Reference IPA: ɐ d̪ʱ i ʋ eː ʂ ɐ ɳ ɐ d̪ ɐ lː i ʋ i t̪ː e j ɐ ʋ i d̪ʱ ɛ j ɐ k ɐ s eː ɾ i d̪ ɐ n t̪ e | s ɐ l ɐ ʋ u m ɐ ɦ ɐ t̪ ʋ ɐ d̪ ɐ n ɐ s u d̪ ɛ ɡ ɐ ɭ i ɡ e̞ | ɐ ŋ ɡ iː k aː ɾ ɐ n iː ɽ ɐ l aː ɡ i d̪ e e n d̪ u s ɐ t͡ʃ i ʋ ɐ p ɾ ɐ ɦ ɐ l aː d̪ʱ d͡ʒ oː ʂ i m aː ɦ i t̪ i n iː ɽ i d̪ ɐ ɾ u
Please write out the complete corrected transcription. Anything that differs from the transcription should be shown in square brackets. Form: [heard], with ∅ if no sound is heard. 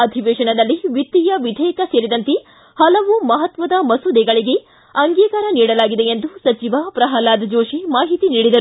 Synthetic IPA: ɐ d̪ʱ i ʋ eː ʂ ɐ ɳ ɐ d̪ ɐ lː i ʋ i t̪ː [i] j ɐ ʋ i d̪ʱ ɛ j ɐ k ɐ s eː ɾ i d̪ ɐ n t̪ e | [h] ɐ l ɐ ʋ u m ɐ ɦ ɐ t̪ ʋ ɐ d̪ ɐ [m] ɐ s u d̪ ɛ ɡ ɐ ɭ i ɡ e̞ | ɐ ŋ ɡ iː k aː ɾ ɐ n iː ɽ ɐ l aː ɡ i d̪ e e n d̪ u s ɐ t͡ʃ i ʋ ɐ p ɾ ɐ ɦ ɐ l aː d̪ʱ d͡ʒ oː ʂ i m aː ɦ i t̪ i n iː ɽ i d̪ ɐ ɾ u

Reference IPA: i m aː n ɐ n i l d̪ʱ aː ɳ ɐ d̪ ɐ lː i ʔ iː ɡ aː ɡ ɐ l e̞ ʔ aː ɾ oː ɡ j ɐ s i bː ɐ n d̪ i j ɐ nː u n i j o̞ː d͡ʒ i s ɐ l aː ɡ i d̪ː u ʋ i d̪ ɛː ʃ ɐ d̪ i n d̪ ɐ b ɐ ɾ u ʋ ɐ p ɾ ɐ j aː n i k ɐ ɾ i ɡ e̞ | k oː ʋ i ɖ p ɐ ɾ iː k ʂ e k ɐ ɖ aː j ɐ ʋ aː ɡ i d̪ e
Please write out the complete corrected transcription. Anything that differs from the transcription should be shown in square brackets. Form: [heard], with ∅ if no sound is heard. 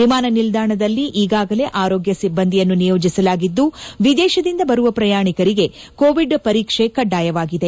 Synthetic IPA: i m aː n ɐ n i l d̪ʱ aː ɳ ɐ d̪ ɐ lː i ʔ iː ɡ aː ɡ ɐ l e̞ ʔ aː ɾ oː ɡ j ɐ s i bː ɐ n d̪ i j ɐ nː u n i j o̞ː d͡ʒ i s ɐ l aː ɡ i d̪ː u ʋ i d̪ ɛː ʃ ɐ d̪ i n d̪ ɐ b ɐ ɾ u ʋ ɐ p ɾ ɐ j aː [ɳ] i k ɐ ɾ i ɡ e̞ | k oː ʋ i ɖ p ɐ ɾ iː k ʂ e k ɐ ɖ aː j ɐ ʋ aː ɡ i d̪ e

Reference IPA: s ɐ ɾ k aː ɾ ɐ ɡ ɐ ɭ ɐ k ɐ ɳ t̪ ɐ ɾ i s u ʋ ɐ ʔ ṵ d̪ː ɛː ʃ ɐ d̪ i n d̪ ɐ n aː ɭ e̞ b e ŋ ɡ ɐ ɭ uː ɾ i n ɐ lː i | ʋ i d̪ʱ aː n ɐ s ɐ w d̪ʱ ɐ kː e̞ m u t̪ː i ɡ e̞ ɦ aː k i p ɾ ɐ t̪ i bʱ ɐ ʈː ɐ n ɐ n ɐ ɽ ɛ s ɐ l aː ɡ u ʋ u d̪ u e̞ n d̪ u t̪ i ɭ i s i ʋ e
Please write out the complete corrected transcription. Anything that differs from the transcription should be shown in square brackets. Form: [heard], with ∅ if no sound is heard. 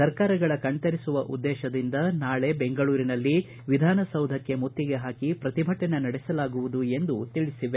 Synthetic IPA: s ɐ ɾ k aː ɾ ɐ ɡ ɐ ɭ ɐ k ɐ ɳ t̪ ɐ ɾ i s u ʋ ɐ ʔ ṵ d̪ː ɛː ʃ ɐ d̪ i n d̪ ɐ n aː ɭ e̞ b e ŋ ɡ ɐ ɭ uː ɾ i n ɐ lː i | ʋ i d̪ʱ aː n ɐ s ɐ w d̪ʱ ɐ kː e̞ m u t̪ː i ɡ e̞ ɦ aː k i p ɾ ɐ t̪ i bʱ ɐ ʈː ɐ n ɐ n ɐ ɽ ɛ s ɐ l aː ɡ u ʋ u d̪ u e̞ n d̪ u t̪ i ɭ i s i ʋ e

